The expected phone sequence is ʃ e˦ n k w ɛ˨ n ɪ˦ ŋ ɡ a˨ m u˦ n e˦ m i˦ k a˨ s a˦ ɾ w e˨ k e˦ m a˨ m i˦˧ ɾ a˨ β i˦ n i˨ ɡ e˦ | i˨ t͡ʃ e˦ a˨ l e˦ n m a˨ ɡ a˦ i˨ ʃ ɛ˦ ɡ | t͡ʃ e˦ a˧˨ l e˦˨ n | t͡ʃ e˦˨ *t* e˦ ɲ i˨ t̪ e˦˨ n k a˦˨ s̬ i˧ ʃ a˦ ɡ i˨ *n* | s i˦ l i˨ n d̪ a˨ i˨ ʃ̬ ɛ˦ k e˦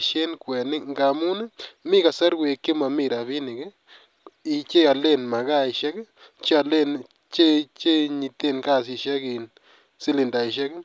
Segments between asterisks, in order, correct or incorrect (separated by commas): incorrect, correct